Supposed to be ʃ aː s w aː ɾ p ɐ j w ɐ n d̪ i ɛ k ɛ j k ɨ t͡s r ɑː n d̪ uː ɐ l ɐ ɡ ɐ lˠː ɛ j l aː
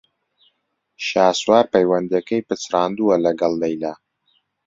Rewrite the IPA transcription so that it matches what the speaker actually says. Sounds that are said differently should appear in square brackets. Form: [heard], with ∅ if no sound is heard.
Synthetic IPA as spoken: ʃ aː s w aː ɾ p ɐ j w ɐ n d̪ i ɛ k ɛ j [p] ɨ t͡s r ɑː n d̪ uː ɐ l ɐ ɡ ɐ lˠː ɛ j l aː